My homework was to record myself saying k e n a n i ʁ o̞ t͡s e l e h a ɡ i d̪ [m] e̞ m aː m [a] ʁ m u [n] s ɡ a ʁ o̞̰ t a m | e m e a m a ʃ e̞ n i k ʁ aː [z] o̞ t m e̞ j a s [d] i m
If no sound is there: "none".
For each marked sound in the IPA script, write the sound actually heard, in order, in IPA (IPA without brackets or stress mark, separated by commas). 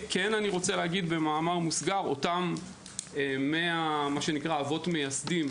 b, a, none, v, d